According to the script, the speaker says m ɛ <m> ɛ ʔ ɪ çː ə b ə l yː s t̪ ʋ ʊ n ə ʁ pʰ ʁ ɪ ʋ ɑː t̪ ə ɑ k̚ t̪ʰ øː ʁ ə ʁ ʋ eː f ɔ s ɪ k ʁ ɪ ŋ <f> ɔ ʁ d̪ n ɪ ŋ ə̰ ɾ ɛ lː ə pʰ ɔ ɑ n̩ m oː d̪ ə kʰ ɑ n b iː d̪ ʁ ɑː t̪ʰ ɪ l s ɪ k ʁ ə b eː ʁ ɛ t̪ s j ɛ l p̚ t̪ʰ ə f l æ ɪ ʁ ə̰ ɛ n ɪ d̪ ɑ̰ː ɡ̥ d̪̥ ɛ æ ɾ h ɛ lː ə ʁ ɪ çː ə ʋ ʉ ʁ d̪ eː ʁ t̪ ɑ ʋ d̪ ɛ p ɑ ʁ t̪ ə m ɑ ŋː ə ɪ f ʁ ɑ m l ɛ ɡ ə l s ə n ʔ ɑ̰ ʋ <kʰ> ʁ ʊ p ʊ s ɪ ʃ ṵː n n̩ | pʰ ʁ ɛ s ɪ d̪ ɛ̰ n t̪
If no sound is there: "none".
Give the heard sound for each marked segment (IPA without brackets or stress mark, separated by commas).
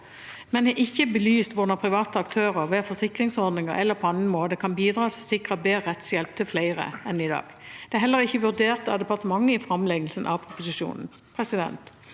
n, s, pʰ